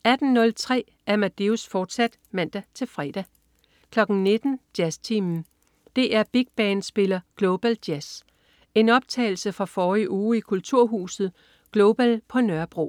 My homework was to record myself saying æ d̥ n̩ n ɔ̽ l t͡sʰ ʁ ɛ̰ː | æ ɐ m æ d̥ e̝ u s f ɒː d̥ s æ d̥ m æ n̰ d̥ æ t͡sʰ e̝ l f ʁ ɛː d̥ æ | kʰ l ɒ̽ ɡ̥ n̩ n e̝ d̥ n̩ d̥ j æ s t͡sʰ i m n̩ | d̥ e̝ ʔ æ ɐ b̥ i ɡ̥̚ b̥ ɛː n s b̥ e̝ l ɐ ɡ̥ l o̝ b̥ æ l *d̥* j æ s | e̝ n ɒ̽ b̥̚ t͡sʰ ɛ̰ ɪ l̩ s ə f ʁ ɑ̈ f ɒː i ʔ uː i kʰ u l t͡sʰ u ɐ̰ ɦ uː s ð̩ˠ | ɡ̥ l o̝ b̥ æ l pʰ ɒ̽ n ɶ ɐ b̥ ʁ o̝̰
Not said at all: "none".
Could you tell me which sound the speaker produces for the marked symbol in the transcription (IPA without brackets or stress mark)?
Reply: d̥